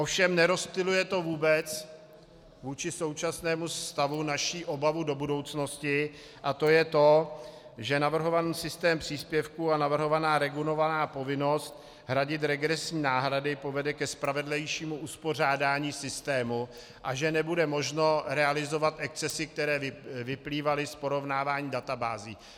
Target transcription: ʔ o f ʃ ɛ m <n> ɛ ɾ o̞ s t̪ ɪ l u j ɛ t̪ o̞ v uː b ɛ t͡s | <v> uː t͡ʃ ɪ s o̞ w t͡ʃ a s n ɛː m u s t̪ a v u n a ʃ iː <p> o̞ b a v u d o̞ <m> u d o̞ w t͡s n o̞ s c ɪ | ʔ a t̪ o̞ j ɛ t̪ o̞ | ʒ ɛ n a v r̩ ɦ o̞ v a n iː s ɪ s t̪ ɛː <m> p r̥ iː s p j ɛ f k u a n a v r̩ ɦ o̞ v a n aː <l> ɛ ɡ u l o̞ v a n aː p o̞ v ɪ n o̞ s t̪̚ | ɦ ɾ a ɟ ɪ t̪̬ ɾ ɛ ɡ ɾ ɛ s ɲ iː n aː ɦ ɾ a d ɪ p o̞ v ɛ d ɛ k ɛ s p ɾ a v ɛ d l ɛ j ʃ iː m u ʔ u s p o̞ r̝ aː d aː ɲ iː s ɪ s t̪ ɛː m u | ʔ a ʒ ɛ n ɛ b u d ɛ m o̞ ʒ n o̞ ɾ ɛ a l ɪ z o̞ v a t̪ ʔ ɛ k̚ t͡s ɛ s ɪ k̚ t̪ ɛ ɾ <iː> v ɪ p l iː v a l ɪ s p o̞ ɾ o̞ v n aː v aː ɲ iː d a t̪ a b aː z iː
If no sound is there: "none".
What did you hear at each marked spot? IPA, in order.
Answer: n, v, ʔ, b, m, ɾ, ɛː

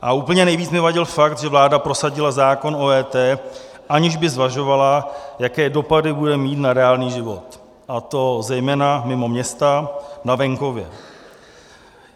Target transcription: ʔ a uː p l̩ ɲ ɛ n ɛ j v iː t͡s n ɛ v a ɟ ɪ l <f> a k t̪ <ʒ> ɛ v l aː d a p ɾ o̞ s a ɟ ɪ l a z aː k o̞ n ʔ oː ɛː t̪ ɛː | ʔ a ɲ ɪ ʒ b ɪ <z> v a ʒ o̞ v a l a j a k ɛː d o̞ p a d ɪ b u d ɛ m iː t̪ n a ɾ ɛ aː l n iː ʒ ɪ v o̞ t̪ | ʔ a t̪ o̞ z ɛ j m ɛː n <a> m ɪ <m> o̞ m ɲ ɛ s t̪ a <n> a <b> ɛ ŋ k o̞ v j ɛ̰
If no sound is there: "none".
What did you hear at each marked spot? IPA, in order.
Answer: f, ʒ, z, a, m, n, v

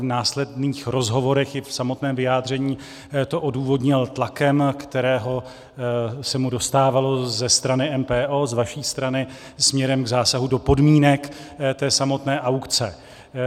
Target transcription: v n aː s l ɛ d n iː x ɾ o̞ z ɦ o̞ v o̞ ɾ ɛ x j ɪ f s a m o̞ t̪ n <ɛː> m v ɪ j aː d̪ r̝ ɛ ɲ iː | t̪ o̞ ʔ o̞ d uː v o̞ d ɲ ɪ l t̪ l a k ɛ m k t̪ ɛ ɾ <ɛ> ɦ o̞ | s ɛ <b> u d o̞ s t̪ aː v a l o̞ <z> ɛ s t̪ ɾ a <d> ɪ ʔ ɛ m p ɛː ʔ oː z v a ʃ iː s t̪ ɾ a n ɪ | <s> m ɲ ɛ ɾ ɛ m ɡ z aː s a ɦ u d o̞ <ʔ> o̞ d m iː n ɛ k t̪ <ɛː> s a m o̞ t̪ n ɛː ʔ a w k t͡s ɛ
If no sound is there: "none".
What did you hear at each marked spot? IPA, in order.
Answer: ɛː, ɛː, m, z, n, s, p, ɛː

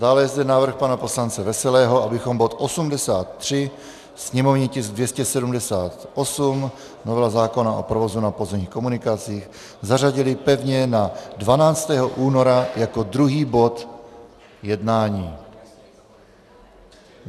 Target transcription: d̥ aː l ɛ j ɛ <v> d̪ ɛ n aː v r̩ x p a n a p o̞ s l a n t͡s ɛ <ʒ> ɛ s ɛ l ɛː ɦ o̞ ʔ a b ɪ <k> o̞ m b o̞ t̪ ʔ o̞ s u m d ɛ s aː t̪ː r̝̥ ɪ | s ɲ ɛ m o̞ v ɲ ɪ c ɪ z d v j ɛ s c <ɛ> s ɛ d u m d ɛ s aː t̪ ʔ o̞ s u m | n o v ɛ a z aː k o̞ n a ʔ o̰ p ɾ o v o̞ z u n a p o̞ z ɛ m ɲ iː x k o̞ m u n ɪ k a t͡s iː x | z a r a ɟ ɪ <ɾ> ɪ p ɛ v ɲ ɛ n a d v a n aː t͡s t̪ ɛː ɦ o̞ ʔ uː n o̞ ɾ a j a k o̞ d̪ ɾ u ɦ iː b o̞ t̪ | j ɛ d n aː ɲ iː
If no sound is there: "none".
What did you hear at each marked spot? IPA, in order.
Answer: z, v, x, ɛ, l

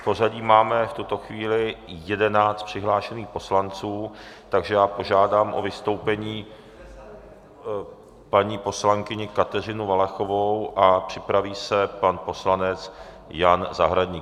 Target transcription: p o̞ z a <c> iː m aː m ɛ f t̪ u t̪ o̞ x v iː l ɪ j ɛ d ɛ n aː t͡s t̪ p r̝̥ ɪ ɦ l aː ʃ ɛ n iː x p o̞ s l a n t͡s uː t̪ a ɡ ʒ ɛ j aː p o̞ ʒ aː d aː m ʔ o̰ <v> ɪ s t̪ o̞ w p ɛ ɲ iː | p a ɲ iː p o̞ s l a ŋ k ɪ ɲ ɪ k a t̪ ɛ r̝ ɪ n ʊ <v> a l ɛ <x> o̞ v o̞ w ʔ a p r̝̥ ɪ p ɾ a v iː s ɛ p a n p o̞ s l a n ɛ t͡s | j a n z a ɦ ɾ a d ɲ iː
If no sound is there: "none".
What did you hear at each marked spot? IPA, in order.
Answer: ɟ, v, v, x

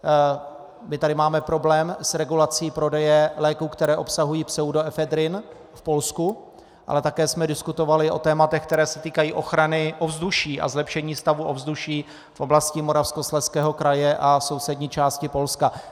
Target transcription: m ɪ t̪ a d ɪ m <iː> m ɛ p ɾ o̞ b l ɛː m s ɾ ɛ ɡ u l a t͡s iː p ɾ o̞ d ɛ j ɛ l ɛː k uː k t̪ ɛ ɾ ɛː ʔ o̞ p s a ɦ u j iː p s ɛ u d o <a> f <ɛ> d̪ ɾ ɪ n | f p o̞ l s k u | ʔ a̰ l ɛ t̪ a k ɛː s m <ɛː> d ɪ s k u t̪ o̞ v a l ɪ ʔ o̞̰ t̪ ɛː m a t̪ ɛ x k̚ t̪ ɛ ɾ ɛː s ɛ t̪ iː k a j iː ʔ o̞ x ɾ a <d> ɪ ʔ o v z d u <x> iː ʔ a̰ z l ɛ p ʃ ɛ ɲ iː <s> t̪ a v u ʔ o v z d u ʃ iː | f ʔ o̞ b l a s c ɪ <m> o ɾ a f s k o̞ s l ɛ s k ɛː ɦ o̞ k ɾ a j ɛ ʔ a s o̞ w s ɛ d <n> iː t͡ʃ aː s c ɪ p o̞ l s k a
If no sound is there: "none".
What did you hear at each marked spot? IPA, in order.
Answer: aː, ɛ, ɛ, ɛ, n, ʃ, s, m, ɲ

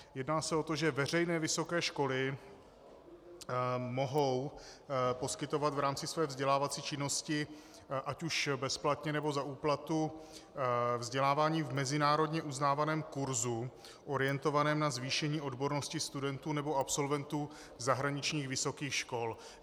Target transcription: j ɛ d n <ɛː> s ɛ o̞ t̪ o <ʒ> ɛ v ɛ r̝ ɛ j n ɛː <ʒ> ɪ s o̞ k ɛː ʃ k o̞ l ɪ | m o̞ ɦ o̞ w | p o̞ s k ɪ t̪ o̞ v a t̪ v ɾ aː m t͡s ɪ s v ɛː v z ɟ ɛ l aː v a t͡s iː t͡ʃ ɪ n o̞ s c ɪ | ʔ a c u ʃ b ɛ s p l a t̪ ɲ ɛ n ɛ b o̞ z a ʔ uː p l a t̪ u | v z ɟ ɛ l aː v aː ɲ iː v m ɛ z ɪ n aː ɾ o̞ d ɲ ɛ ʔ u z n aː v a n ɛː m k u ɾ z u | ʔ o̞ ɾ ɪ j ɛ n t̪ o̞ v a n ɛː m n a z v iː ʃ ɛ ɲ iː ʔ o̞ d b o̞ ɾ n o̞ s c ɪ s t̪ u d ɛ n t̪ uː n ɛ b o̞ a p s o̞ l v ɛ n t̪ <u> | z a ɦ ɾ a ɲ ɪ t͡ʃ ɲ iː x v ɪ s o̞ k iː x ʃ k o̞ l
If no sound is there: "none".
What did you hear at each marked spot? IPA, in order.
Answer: aː, ʒ, v, uː

